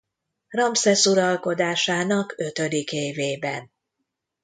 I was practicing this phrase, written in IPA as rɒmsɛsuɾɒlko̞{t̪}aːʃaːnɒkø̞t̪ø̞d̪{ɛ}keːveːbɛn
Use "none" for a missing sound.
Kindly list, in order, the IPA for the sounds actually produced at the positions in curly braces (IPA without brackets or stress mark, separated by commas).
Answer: d̪, i